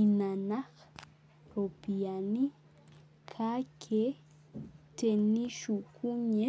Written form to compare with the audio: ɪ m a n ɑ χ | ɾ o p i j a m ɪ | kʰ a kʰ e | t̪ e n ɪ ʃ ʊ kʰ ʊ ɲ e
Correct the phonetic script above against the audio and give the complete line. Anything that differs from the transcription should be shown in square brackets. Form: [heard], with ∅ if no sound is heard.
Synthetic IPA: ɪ m a n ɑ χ | ɾ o p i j a [n] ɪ | kʰ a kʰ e | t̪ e n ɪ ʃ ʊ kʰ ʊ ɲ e